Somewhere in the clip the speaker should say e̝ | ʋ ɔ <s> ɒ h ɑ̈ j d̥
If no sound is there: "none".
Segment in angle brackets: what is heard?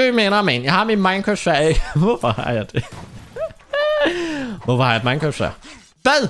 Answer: f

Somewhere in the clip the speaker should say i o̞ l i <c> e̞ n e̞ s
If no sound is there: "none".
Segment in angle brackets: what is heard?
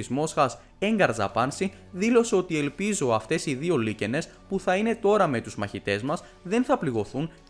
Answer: c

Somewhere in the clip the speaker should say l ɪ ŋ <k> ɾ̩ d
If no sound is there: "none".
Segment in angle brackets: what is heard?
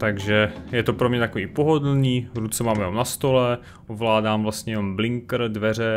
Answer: k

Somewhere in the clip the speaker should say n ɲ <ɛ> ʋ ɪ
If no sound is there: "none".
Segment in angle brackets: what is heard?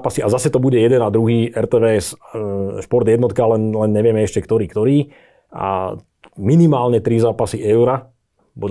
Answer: ɛ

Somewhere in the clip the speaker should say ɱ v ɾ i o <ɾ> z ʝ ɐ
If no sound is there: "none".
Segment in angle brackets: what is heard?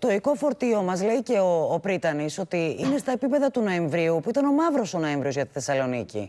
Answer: none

